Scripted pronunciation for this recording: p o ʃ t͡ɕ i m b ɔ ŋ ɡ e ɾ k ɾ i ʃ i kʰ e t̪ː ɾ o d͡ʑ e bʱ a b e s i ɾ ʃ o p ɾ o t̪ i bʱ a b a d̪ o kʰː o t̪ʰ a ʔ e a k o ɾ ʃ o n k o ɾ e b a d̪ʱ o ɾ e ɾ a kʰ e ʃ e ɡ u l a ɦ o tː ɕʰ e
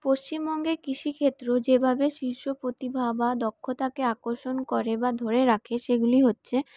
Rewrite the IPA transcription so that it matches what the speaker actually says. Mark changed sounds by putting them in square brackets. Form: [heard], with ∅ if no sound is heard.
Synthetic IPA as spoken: p o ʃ t͡ɕ i m b ɔ ŋ ɡ e ɾ k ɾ i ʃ i kʰ e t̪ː ɾ o d͡ʑ e bʱ a b e [ʃ] i ɾ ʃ o p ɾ o t̪ i bʱ a b a d̪ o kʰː o [t̪] a [k] e a k o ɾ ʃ o n k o ɾ e b a d̪ʱ o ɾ e ɾ a kʰ e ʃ e ɡ u l [i] ɦ o tː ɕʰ e